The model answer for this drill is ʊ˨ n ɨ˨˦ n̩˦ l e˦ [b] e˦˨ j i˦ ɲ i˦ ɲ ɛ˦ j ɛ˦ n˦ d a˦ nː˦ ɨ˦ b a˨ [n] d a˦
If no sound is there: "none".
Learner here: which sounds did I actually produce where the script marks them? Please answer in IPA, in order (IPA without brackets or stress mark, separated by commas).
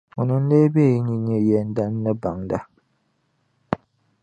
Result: b, ŋ